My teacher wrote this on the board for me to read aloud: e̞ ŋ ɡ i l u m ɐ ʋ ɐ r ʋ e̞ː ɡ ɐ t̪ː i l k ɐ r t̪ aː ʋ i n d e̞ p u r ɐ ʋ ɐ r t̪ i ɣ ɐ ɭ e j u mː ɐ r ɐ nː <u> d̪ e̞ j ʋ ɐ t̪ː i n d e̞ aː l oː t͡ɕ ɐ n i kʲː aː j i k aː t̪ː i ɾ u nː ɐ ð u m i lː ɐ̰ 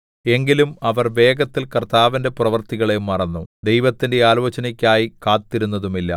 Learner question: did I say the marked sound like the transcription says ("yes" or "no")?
yes